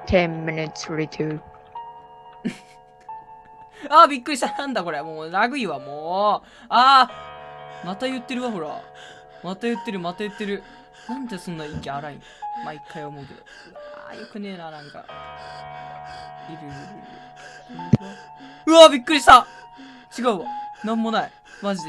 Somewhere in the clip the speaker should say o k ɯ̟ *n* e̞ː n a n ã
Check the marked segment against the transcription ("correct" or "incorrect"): correct